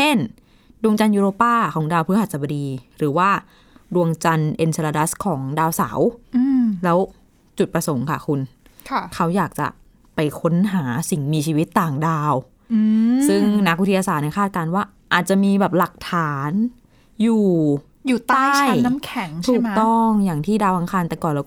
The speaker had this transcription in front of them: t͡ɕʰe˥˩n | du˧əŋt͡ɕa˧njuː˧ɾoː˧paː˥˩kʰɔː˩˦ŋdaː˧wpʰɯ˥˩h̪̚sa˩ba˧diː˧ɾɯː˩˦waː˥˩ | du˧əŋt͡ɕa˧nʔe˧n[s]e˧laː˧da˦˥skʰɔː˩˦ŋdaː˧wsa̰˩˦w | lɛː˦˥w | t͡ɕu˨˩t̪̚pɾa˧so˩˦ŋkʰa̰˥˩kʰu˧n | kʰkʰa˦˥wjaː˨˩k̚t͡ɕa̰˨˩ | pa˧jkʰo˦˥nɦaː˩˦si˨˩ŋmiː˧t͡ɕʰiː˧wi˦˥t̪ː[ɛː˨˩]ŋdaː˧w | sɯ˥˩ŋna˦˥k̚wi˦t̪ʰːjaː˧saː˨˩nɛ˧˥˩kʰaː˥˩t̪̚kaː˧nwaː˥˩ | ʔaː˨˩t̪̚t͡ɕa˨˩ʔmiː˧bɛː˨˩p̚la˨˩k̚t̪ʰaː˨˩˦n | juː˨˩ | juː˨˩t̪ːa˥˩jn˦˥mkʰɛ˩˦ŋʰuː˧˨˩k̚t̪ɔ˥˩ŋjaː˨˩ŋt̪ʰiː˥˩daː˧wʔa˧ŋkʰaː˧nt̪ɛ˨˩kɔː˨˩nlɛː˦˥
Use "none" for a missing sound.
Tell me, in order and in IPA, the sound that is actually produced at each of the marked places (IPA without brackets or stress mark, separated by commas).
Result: s, aː˨˩